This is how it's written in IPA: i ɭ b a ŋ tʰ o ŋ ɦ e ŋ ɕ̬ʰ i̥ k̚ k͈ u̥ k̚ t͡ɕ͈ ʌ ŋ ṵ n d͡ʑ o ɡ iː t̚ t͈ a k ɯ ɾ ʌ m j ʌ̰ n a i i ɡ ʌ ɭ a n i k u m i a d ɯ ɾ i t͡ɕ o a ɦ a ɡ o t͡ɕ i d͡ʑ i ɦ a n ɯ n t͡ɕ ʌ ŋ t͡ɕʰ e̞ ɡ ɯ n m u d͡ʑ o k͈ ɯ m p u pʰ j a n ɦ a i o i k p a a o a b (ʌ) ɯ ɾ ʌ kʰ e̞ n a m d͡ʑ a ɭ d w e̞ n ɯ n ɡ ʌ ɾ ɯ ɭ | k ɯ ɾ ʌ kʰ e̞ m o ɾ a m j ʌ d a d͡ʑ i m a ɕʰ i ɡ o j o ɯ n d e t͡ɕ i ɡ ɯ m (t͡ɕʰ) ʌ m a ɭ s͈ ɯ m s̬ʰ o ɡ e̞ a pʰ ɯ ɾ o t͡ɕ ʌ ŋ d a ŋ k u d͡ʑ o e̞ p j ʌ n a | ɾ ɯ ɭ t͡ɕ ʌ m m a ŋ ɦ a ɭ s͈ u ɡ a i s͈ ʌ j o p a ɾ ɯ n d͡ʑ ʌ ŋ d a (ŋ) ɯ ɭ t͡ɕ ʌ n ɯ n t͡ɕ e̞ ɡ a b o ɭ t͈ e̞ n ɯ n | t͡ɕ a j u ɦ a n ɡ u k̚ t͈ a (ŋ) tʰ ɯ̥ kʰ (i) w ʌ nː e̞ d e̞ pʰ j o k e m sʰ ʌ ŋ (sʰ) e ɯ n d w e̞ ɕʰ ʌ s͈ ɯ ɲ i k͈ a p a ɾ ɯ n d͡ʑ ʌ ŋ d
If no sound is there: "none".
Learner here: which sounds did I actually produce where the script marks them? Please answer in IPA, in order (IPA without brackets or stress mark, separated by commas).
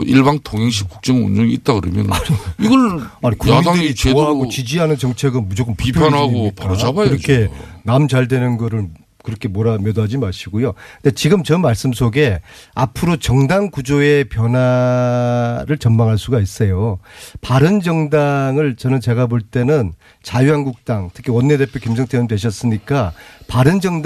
a, t͡ɕ, ŋ, ŋ, i, tʰ